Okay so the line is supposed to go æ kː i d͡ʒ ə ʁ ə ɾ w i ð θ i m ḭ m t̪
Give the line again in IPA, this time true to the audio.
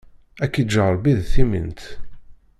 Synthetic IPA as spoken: æ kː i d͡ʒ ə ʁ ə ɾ b i ð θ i m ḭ n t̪